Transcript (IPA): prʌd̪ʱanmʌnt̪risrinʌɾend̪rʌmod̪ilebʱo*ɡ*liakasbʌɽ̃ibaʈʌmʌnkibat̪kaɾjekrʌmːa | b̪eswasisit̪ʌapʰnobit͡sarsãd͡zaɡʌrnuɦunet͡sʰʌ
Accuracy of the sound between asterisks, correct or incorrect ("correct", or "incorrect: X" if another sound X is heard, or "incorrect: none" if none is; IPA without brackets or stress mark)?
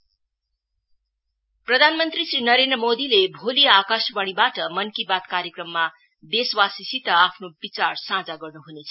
incorrect: none